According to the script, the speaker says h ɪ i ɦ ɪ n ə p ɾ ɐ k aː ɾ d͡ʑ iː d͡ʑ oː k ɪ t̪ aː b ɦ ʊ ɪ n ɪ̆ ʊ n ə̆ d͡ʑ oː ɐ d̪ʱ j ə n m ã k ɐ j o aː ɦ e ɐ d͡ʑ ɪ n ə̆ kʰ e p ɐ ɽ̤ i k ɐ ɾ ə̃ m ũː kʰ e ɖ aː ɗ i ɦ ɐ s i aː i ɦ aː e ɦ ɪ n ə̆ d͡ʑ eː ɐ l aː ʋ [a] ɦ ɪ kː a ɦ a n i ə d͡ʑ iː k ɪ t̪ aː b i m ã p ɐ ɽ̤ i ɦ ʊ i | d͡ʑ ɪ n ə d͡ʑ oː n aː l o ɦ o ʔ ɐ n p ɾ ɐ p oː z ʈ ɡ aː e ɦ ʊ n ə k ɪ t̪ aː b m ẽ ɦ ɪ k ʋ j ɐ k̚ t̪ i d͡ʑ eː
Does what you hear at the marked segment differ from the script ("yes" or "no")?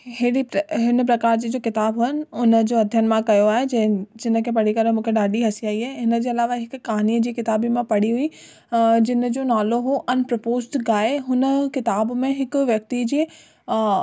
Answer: no